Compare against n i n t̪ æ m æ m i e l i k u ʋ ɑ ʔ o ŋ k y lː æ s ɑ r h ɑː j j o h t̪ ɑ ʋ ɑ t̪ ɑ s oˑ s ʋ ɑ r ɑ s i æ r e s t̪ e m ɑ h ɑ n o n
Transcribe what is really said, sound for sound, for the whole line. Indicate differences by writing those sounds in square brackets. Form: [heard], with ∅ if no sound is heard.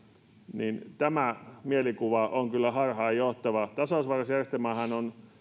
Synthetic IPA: n i n t̪ æ m æ m i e l i k u ʋ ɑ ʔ o ŋ k y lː æ [h] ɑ r h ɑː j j o h t̪ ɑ ʋ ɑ t̪ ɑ s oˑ s ʋ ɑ r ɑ s [j] æ r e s t̪ e m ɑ h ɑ n o n

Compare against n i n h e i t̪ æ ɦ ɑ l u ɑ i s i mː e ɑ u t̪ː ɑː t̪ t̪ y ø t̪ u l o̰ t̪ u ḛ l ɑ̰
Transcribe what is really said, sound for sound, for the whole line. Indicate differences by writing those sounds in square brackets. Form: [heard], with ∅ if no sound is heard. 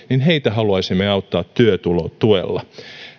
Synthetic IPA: n i n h e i t̪ æ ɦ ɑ l u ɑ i s i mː e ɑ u t̪ː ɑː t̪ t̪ y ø t̪ u l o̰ t̪ u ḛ [lː] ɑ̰

